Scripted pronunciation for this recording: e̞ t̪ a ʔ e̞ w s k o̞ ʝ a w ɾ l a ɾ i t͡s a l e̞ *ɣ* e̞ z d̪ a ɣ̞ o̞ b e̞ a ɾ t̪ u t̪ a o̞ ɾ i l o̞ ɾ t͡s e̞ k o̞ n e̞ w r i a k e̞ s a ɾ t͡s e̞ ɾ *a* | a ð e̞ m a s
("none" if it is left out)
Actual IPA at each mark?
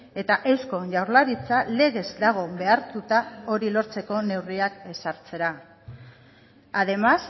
ɣ, a

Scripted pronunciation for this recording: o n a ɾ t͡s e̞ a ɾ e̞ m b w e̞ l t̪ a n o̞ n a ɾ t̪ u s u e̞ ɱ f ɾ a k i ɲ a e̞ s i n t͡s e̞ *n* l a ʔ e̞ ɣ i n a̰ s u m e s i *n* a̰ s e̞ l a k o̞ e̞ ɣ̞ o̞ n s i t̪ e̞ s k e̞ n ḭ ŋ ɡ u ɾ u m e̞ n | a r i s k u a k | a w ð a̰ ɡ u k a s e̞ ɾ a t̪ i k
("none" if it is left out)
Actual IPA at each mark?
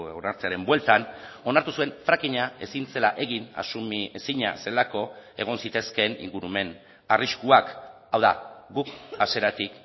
none, ɲ

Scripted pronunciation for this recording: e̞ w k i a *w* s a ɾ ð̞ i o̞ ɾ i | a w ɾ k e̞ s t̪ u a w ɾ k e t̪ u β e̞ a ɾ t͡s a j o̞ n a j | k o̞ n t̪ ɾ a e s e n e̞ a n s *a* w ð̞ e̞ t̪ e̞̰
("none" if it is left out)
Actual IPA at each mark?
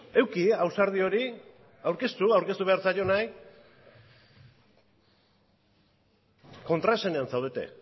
w, a

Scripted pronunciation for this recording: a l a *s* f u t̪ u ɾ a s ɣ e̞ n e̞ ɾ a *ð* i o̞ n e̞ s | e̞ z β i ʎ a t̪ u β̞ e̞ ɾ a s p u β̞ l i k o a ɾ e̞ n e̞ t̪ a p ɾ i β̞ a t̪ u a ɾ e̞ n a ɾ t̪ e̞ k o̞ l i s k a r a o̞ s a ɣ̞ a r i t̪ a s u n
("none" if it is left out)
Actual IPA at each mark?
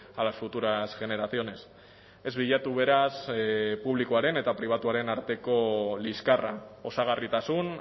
s, θ

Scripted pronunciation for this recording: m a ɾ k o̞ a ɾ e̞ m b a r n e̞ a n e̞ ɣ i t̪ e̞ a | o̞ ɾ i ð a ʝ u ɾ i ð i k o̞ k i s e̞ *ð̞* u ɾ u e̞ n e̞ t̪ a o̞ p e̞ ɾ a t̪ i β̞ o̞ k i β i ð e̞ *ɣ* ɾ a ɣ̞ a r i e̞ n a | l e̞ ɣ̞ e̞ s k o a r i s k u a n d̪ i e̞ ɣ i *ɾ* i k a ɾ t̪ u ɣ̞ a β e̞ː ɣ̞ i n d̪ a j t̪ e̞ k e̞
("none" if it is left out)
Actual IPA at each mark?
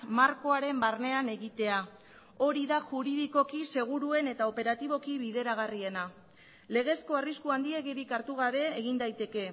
ɣ̞, none, ɾ

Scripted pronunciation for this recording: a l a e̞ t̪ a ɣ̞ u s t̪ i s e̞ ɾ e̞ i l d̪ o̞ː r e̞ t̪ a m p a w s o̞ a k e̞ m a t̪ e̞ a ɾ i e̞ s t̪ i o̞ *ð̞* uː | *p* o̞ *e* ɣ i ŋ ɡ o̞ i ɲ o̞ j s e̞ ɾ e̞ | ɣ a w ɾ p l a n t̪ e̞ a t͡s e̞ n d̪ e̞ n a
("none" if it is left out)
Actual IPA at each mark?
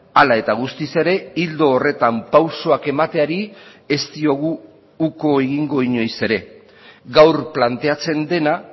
ɣ̞, k, e

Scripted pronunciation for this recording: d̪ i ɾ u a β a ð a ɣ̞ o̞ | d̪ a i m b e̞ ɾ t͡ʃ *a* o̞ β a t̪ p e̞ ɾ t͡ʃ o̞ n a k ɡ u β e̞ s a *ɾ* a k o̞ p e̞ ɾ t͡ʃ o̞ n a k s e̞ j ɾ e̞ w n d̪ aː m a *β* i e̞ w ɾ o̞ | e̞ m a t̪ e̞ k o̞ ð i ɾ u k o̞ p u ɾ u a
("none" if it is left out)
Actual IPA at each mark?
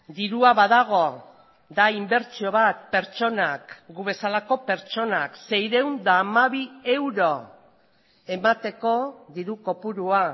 i, l, β

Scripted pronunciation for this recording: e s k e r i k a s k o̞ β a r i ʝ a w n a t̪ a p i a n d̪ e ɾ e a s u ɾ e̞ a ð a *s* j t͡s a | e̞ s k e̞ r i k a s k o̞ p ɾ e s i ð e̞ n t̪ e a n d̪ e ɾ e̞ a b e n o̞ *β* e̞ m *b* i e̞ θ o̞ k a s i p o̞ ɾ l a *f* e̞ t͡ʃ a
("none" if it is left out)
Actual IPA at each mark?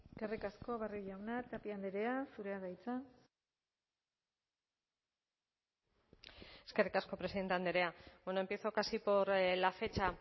none, none, p, f

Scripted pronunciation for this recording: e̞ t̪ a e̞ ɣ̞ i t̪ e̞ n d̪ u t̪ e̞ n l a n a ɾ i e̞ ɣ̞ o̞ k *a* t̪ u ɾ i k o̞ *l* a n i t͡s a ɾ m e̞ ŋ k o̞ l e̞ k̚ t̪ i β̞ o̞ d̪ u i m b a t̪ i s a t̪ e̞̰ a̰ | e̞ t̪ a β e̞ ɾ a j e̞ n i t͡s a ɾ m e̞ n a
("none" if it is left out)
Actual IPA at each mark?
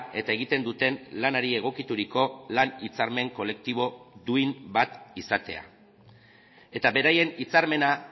i, l

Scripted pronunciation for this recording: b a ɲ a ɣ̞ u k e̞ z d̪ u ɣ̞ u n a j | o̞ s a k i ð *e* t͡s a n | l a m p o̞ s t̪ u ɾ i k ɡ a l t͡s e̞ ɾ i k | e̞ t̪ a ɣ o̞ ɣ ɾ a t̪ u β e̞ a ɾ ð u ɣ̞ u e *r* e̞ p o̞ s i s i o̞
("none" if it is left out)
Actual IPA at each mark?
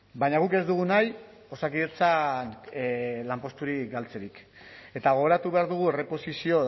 e, r

